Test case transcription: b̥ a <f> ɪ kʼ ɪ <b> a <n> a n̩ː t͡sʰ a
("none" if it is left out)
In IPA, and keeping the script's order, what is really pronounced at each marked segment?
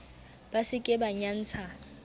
s, b, ɲ

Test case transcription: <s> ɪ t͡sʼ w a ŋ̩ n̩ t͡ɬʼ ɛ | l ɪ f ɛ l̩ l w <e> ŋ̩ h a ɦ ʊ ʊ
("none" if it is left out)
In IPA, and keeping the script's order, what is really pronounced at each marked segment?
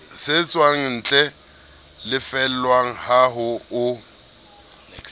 s, a

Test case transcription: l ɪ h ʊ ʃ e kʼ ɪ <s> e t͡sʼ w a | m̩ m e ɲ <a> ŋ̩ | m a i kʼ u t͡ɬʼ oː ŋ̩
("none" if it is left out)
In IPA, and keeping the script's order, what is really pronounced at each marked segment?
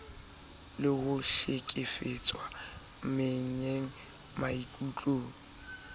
f, e

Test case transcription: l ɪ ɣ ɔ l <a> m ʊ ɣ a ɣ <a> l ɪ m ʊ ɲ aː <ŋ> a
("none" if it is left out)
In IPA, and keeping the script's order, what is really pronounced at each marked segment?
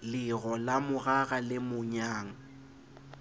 a, a, ŋ

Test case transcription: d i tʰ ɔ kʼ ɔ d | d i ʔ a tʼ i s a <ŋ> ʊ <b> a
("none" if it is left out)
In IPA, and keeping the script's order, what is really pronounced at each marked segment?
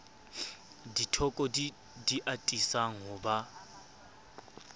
ŋ, b

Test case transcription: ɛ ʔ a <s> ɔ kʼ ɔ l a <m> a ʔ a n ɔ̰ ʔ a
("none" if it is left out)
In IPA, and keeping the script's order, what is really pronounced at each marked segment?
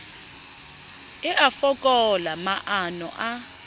f, m

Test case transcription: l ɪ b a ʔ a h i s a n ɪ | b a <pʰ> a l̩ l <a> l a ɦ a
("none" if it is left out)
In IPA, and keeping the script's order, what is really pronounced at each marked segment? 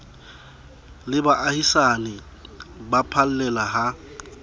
pʰ, ɛ

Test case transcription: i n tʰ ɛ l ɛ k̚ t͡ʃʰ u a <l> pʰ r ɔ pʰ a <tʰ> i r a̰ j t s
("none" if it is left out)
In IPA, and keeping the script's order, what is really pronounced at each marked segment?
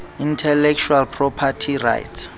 l, tʰ

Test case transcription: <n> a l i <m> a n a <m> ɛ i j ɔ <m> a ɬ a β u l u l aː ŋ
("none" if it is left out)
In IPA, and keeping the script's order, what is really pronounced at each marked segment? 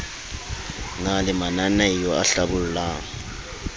ŋ, m, n, none

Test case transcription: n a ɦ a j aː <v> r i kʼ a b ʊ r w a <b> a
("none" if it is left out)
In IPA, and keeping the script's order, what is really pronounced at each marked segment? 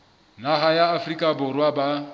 f, b

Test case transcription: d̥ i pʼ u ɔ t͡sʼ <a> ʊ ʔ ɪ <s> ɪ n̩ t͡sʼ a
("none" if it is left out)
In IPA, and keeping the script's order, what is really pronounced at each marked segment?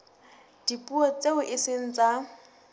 e, s

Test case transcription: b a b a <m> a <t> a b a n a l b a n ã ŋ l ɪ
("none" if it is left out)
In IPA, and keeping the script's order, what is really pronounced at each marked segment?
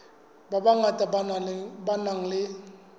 ŋ, t

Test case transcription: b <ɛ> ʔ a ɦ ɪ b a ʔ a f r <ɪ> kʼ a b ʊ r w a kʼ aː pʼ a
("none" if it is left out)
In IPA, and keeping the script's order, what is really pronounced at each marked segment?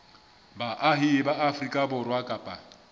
a, i

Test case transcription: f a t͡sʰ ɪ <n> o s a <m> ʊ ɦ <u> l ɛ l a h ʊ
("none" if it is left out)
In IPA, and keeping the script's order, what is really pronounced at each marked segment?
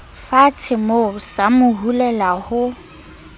m, m, u

